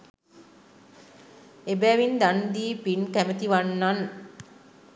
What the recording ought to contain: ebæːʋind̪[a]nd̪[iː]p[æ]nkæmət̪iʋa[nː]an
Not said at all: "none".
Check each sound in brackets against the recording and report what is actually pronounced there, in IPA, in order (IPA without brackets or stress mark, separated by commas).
a, iː, i, nː